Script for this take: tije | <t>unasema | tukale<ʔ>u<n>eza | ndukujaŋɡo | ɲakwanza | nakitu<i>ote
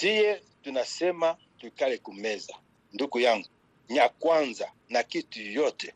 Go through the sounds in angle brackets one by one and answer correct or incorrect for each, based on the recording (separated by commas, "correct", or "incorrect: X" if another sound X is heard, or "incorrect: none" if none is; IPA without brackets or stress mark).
correct, incorrect: k, incorrect: m, incorrect: j